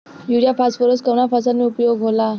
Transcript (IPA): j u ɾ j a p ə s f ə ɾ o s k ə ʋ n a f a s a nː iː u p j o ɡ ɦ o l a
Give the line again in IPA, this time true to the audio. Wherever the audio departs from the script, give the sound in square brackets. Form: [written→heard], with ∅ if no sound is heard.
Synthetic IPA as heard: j u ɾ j a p [ə→a] s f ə ɾ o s k ə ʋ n a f a s a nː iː u p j o ɡ ɦ o l a